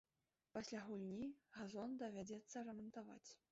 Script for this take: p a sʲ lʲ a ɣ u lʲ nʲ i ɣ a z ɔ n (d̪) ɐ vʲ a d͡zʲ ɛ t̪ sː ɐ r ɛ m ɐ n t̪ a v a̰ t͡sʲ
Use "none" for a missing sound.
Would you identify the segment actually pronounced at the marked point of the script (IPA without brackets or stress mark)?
d̪